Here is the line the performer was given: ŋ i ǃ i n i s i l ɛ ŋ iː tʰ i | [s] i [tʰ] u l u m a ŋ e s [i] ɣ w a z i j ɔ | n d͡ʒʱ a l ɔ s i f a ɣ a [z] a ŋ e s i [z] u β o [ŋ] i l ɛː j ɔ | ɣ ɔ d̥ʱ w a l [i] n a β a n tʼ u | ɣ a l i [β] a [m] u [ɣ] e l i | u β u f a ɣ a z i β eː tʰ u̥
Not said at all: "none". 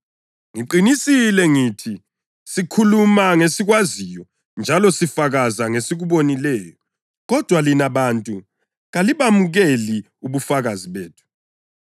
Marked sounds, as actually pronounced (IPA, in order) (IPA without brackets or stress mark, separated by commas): s, kʰ, i, z, ɣ, n, i, β, m, ɣ